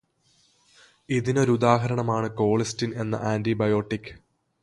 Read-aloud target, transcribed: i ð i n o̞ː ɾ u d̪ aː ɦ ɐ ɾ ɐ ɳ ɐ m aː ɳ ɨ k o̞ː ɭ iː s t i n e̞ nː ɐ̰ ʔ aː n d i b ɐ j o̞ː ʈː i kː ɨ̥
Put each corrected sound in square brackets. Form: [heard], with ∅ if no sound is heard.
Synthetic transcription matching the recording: i ð i n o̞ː ɾ u d̪ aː ɦ ɐ ɾ ɐ ɳ ɐ m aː ɳ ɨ k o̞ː ɭ [i] s t i n e̞ nː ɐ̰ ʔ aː n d i b ɐ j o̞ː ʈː i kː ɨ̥